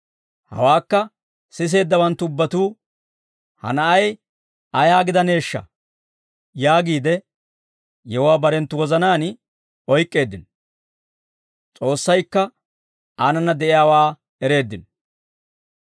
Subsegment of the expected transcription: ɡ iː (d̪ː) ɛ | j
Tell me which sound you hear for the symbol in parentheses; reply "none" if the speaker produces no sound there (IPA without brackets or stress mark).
d̪